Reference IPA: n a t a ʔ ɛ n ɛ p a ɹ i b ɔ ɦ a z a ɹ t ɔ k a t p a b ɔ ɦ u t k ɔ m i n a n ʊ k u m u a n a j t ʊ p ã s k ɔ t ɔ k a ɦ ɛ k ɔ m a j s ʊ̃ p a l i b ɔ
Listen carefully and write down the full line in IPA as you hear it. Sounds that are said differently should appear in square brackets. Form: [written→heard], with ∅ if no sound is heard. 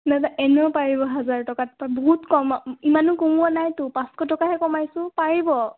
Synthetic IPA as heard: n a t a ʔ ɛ n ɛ p a ɹ i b ɔ ɦ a z a ɹ t ɔ k a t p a b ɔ ɦ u t k ɔ m i [n→m] a n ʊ k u m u a n a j t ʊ p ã s k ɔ t ɔ k a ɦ ɛ k ɔ m a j s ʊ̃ p a [l→ɹ] i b ɔ